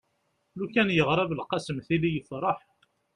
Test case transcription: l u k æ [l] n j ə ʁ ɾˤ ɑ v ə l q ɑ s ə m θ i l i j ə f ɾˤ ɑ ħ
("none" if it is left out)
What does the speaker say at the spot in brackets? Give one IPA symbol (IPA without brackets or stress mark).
none